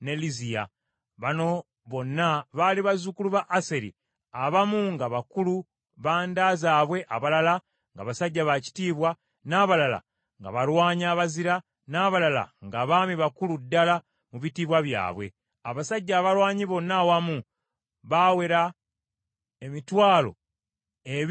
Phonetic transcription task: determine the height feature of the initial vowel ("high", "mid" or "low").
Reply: mid